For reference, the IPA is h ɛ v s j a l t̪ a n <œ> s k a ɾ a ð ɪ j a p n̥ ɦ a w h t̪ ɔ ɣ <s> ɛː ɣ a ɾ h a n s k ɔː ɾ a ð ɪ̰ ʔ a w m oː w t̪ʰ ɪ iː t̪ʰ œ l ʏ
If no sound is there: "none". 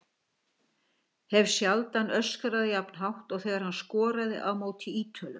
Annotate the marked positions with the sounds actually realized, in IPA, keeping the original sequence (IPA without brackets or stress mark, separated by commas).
œ, θ